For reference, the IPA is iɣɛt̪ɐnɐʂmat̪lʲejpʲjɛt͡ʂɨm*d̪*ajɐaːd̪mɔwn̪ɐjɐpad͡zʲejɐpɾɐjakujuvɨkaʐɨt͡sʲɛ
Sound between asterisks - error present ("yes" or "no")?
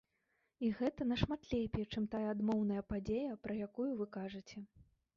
yes